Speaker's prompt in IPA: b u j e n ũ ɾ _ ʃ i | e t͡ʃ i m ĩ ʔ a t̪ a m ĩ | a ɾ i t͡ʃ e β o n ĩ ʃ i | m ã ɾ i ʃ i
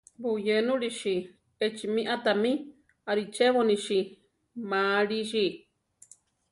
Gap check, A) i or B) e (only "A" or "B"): A